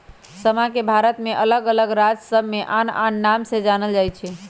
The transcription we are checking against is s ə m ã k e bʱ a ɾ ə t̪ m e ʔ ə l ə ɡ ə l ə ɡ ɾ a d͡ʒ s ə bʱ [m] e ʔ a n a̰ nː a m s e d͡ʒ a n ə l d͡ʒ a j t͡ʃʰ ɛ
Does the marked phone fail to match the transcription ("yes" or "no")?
no